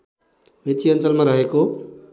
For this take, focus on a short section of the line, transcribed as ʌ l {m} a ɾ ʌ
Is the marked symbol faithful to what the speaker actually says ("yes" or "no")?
yes